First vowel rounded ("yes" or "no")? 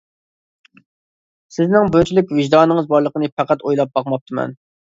no